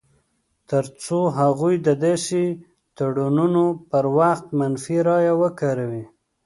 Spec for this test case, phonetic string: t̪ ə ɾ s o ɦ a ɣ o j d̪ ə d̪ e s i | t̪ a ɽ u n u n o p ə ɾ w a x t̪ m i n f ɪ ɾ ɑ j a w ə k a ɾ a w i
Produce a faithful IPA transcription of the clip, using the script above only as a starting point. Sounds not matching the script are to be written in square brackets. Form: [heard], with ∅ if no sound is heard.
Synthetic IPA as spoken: t̪ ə ɾ [t͡s] o ɦ a ɣ [u] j d̪ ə d̪ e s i | t̪ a ɽ u n u n o p ə ɾ w a x t̪ m [a] n f [i] ɾ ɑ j a w ə k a ɾ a w i